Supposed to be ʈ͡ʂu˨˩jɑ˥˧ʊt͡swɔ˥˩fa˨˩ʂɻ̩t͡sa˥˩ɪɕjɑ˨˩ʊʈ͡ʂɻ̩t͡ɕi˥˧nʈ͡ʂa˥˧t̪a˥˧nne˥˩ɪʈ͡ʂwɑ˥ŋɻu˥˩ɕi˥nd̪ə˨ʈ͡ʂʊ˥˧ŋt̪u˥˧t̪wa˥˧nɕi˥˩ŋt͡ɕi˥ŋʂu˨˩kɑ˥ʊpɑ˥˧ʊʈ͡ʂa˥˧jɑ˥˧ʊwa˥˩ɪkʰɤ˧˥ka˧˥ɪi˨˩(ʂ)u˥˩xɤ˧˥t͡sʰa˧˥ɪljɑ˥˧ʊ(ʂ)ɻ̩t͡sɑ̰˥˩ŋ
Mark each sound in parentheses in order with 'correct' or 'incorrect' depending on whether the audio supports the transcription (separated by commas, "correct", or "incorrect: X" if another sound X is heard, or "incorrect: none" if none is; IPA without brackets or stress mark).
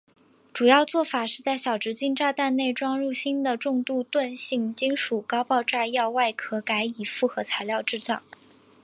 incorrect: f, incorrect: ʈ͡ʂ